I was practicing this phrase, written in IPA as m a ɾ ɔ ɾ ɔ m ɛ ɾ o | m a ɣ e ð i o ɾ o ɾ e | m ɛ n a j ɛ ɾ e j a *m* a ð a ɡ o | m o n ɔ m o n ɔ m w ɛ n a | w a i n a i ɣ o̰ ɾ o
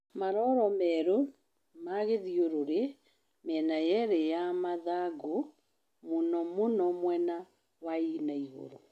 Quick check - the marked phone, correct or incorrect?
correct